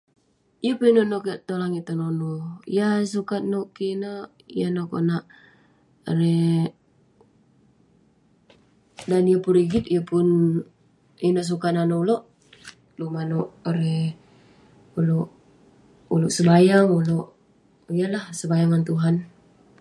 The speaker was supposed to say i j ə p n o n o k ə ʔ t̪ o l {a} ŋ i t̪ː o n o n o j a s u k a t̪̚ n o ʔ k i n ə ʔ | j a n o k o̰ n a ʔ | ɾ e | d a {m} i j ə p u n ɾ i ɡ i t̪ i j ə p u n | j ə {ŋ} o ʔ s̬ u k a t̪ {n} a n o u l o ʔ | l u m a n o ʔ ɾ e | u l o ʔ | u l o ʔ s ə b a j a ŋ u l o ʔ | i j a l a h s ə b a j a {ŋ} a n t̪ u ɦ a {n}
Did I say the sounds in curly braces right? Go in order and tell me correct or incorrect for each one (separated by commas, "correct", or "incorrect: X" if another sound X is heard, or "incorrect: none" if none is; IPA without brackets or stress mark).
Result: correct, incorrect: n, incorrect: n, correct, correct, correct